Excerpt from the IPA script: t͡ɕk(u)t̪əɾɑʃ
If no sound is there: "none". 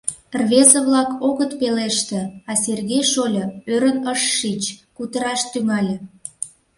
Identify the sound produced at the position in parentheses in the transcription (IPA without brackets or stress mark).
u